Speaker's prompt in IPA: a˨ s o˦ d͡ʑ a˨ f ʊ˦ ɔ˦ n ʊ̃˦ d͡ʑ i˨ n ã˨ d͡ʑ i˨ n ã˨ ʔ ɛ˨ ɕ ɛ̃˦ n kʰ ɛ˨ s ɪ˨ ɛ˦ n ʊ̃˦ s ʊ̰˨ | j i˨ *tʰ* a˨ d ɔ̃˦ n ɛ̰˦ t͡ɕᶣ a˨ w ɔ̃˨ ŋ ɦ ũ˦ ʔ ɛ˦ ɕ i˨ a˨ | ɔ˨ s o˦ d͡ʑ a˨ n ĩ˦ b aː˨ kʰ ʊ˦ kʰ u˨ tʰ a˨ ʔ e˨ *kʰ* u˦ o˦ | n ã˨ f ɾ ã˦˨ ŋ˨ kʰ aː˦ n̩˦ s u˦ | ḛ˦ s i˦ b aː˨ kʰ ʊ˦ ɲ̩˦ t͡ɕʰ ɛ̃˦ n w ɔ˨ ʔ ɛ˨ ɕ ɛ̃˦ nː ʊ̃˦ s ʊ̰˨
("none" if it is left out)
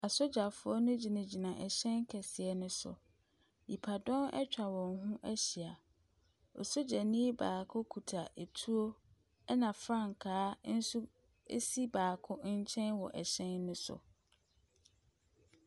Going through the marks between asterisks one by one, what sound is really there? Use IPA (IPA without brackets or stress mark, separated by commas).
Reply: pʰ, tʰ